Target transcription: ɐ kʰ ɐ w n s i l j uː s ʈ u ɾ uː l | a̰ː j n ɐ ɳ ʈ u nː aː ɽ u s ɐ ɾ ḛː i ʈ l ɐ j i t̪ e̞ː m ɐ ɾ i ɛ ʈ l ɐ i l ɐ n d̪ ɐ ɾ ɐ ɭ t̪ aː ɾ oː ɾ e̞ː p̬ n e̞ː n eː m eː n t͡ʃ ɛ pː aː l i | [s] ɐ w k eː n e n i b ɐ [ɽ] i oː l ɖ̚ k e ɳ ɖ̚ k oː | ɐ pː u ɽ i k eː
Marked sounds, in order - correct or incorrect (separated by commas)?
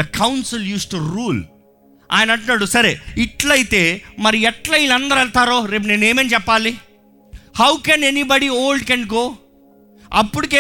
incorrect, correct